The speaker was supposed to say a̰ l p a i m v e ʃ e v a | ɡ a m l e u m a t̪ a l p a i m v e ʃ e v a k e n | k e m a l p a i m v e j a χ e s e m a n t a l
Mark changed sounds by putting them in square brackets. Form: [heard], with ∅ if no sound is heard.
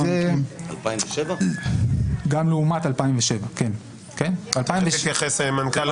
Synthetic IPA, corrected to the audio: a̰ l p a i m v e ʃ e v a | ɡ a m l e u m a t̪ a l p a i m v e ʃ e v a k e n | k e [n] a l p a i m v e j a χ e s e m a n [k] a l